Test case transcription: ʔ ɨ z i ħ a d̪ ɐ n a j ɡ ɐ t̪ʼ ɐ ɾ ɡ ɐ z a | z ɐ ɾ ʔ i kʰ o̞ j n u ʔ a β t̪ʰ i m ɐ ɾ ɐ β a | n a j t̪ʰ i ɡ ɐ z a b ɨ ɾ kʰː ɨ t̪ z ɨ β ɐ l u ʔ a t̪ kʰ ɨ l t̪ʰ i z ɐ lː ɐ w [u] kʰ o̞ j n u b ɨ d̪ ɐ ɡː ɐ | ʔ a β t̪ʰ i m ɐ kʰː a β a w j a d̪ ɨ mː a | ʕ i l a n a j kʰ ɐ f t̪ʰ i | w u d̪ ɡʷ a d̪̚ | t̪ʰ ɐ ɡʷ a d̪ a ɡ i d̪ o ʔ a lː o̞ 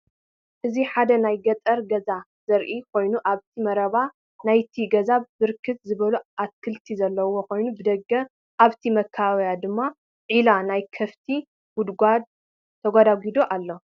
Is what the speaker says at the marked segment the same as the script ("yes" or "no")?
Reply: no